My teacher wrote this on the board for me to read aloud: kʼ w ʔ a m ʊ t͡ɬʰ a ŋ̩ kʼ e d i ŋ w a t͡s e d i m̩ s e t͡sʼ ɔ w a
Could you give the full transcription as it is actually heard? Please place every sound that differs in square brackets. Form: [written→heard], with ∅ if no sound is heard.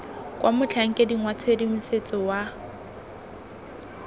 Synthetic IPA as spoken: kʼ w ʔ a m ʊ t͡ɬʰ a ŋ̩ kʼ e d i ŋ w a [t͡s→t͡sʰ] e d i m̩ s e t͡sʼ ɔ w a